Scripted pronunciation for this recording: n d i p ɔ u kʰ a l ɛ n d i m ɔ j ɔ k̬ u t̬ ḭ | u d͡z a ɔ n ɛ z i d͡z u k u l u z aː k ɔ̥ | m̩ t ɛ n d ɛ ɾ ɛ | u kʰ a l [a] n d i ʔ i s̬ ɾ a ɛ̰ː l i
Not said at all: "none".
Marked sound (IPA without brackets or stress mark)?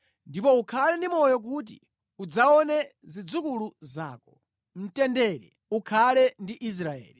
ɛ